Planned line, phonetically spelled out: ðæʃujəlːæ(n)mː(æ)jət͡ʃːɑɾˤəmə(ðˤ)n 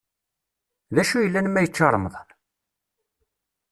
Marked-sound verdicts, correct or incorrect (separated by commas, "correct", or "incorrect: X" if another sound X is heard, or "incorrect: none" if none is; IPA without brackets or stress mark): correct, correct, correct